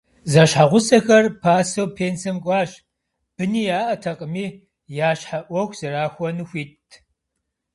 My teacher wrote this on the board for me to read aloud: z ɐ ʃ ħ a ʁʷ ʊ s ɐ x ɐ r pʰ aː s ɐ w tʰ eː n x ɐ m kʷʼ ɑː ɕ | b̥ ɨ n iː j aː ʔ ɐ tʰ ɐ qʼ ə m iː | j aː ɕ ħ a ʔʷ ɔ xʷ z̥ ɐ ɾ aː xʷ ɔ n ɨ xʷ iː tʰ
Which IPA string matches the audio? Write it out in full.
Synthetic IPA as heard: z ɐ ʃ ħ a ʁʷ ʊ s ɐ x ɐ r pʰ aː s ɐ w pʰ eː n s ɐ m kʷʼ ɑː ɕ | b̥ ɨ n iː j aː ʔ ɐ tʰ ɐ qʼ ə m iː | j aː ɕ ħ a ʔʷ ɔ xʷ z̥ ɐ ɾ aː xʷ ɔ n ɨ xʷ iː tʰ